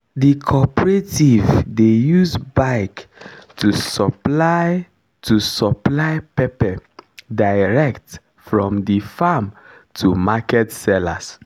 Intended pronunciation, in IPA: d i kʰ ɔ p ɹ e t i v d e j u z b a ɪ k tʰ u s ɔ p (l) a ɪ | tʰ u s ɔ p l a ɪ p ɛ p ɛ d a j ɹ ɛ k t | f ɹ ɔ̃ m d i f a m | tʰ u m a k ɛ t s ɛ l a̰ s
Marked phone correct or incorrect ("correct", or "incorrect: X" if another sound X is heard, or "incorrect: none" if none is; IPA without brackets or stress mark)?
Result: correct